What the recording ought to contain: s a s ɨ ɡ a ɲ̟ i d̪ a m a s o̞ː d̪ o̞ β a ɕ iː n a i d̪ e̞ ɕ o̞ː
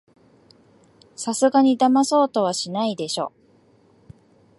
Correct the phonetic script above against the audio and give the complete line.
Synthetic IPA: s a s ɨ ɡ a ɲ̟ i d̪ a m a s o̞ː t̪ o̞ β a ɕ i n a i d̪ e̞ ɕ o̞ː